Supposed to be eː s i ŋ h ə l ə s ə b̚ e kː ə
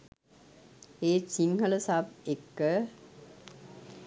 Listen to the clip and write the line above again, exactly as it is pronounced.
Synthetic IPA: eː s i ŋ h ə l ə s a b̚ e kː ə